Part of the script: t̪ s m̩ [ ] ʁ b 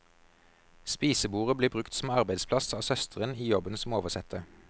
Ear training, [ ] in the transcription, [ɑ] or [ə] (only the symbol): ɑ